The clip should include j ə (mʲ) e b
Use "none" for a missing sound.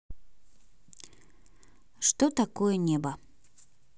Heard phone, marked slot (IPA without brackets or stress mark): nʲ